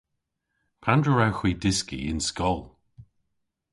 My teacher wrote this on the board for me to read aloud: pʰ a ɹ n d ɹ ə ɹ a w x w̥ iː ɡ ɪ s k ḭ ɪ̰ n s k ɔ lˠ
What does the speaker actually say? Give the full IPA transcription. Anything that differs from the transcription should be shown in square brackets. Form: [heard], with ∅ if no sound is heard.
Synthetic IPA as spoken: pʰ a [∅] n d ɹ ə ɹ a w x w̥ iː [d] ɪ s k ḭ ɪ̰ n s k ɔ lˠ